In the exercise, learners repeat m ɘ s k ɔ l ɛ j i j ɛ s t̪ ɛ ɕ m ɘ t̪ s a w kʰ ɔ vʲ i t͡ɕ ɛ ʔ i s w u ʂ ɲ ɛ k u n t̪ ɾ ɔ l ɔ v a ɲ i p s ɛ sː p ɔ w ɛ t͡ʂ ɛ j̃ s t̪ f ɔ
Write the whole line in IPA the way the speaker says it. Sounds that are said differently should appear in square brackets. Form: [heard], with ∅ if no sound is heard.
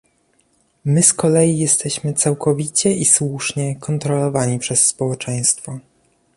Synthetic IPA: m ɘ s k ɔ l ɛ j i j ɛ s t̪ ɛ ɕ m ɘ t̪ s a w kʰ ɔ vʲ i t͡ɕ ɛ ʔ i s w u ʂ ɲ ɛ k [ɔ] n t̪ ɾ ɔ l ɔ v a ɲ i p [ʂ] ɛ sː p ɔ w ɛ t͡ʂ ɛ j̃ s t̪ f ɔ